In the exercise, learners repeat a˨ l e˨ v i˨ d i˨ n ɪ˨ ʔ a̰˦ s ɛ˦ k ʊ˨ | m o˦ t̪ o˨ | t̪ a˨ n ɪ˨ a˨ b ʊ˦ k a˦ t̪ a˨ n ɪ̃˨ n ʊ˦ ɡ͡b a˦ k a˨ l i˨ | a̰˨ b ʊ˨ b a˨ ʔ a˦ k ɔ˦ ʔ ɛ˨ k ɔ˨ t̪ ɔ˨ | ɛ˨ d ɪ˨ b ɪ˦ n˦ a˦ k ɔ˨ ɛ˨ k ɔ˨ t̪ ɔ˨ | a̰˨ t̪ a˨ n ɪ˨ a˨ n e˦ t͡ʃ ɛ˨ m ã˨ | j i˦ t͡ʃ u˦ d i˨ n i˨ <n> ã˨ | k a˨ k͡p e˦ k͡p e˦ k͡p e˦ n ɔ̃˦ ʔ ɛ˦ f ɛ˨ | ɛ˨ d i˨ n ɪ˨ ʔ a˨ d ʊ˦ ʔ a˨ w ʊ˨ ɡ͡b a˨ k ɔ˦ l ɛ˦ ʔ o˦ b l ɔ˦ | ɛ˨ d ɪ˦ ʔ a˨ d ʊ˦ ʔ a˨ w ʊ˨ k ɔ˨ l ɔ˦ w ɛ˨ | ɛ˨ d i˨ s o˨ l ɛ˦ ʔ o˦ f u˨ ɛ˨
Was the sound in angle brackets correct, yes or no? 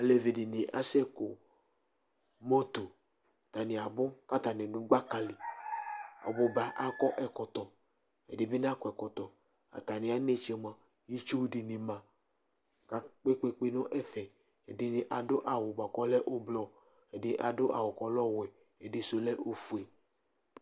no